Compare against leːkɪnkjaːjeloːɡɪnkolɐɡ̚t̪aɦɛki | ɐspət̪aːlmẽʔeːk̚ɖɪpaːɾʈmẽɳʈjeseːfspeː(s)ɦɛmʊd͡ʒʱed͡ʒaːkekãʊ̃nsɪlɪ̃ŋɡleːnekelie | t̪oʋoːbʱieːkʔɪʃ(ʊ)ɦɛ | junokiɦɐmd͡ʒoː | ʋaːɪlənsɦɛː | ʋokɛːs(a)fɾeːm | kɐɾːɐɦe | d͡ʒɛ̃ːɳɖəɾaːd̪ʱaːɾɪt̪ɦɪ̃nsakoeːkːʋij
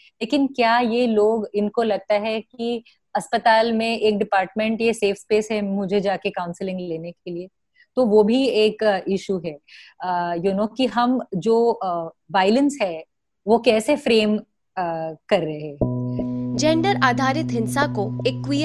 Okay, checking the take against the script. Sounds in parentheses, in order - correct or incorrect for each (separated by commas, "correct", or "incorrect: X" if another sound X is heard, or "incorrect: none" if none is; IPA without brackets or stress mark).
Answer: correct, incorrect: u, incorrect: e